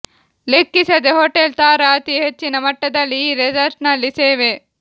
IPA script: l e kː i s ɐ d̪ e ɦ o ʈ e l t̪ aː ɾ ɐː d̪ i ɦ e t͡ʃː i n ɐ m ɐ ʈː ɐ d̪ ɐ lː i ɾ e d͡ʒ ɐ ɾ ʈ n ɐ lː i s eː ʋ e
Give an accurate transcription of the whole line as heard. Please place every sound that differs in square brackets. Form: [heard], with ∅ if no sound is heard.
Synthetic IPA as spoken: l e kː i s ɐ d̪ e ɦ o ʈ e l t̪ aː ɾ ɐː [t̪] i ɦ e t͡ʃː i n ɐ m ɐ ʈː ɐ d̪ ɐ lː i ɾ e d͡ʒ ɐ ɾ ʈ n ɐ lː i s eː ʋ e